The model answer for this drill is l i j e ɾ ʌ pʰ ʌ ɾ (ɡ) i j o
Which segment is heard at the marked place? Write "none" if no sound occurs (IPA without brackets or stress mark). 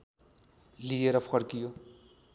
k